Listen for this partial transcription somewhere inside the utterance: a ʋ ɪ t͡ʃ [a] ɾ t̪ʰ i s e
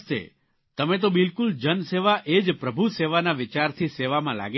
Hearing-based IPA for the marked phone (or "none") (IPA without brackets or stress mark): a